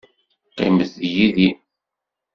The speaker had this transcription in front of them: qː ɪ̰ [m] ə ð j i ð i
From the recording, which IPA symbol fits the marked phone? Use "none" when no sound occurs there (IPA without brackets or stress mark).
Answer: m